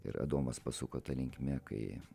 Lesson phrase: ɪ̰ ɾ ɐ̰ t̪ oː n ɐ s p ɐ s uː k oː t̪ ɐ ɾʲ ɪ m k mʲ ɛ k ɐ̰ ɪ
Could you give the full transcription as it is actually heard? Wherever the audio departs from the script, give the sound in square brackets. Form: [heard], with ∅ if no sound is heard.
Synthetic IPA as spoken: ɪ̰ ɾ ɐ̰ [d̪] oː [m] ɐ s p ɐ s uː k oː t̪ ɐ [lʲ] ɪ [ŋ] k mʲ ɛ k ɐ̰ ɪ